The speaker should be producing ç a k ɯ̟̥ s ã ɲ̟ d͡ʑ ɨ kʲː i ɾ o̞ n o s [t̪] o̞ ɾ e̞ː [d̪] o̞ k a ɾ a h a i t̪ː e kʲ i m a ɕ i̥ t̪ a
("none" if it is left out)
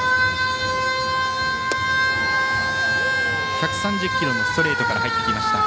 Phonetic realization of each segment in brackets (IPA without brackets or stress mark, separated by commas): t̪, t̪